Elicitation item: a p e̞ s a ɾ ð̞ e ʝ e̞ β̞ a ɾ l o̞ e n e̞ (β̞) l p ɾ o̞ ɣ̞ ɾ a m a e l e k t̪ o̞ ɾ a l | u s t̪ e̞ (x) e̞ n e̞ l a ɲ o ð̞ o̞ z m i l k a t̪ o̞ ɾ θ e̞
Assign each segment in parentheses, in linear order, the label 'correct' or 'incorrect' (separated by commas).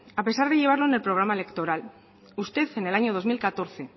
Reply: incorrect, incorrect